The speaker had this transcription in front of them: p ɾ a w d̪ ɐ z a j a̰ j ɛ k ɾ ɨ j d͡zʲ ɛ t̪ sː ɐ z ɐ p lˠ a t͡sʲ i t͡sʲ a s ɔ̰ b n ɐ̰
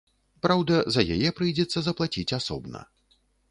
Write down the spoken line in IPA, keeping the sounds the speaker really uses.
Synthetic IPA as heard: p ɾ a w d̪ ɐ z ɐ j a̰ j ɛ p ɾ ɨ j d͡zʲ ɛ t̪ sː ɐ z ɐ p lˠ a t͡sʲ i t͡sʲ a s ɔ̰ b n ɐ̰

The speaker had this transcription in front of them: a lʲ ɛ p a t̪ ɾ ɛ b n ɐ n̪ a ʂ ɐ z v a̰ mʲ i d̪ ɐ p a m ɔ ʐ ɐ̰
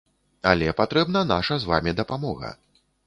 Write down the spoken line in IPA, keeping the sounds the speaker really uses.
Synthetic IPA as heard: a lʲ ɛ p a t̪ ɾ ɛ b n ɐ n̪ a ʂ ɐ z v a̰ mʲ i d̪ ɐ p a m ɔ ɣ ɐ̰

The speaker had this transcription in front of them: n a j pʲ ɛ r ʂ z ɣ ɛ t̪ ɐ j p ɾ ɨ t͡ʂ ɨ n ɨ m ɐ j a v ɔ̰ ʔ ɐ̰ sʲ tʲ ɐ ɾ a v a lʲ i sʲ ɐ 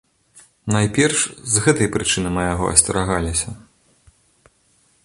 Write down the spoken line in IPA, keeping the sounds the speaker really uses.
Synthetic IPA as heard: n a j pʲ ɛ r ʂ z ɣ ɛ t̪ ɐ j p ɾ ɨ t͡ʂ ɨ n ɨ m ɐ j a ɣ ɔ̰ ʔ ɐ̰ sʲ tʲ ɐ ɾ a ɣ a lʲ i sʲ ɐ

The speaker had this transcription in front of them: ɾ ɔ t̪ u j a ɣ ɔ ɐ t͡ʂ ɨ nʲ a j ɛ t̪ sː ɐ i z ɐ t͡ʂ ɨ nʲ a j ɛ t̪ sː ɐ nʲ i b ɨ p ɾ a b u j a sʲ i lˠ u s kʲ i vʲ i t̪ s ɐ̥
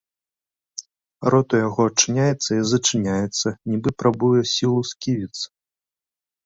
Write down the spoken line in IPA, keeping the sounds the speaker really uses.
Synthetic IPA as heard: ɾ ɔ t̪ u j a ɣ ɔ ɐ t͡ʂ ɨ nʲ a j ɛ t̪ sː ɐ i z ɐ t͡ʂ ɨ nʲ a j ɛ t̪ sː ɐ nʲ i b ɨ p ɾ a b u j ɛ sʲ i lˠ u s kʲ i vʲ i t̪ s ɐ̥

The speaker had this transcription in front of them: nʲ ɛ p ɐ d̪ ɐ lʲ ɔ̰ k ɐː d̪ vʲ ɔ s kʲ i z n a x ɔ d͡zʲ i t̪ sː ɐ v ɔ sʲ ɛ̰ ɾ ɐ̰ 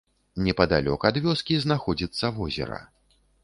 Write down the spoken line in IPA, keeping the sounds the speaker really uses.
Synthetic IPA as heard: nʲ ɛ p ɐ d̪ a lʲ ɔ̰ k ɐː d̪ vʲ ɔ s kʲ i z n a x ɔ d͡zʲ i t̪ sː ɐ v ɔ zʲ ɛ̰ ɾ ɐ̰

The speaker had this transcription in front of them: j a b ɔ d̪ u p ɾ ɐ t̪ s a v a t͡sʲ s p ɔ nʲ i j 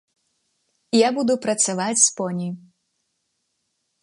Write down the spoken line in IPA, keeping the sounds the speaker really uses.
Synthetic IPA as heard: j a b u d̪ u p ɾ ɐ t̪ s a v a t͡sʲ s p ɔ nʲ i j

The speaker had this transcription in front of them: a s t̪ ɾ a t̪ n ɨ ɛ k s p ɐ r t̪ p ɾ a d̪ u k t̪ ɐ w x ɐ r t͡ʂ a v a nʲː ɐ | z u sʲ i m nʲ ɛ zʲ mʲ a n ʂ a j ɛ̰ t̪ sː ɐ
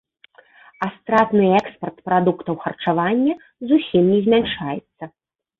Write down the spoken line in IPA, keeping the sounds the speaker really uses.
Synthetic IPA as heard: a s t̪ ɾ a t̪ n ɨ ɛ k s p ɐ r t̪ p ɾ a d̪ u k t̪ ɐ w x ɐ r t͡ʂ a v a nʲː ɐ | z u sʲ i m nʲ ɛ zʲ mʲ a n ʂ a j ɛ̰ t̪ sː ɐ

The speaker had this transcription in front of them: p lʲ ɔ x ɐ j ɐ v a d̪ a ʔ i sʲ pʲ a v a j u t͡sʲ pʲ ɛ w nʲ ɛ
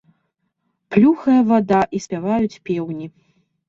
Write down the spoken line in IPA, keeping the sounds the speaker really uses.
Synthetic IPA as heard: p lʲ u x ɐ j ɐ v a d̪ a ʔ i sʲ pʲ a v a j u t͡sʲ pʲ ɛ w nʲ i

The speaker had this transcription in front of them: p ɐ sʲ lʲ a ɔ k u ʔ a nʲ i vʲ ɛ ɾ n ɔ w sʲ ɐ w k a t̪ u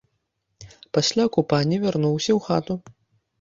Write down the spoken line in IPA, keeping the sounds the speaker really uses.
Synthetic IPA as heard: p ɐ sʲ lʲ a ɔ k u p a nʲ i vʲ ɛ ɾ n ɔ w sʲ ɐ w x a t̪ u

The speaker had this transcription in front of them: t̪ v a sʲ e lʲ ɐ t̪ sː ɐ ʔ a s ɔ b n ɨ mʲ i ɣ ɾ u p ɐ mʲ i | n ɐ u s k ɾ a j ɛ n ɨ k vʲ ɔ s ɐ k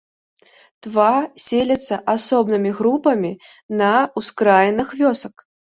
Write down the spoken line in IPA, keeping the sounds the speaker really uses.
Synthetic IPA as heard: t̪ v a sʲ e lʲ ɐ t̪ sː ɐ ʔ a s ɔ b n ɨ mʲ i ɣ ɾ u p ɐ mʲ i | n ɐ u s k ɾ a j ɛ n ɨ x vʲ ɔ s ɐ k

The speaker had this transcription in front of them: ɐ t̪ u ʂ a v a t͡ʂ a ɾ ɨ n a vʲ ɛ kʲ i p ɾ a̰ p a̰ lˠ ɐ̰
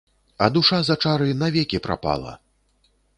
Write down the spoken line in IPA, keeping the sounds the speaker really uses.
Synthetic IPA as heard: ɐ d̪ u ʂ a z a t͡ʂ a ɾ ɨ n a vʲ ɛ kʲ i p ɾ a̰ p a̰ lˠ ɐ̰

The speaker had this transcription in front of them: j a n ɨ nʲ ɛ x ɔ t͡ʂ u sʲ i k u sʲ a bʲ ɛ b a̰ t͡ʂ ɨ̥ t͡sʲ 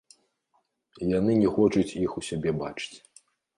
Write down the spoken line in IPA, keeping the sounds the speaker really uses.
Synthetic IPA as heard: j a n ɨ nʲ ɛ x ɔ t͡ʂ u t͡sʲ i x u sʲ a bʲ ɛ b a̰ t͡ʂ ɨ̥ t͡sʲ

